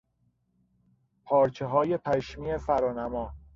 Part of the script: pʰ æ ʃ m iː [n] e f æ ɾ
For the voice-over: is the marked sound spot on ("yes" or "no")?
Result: no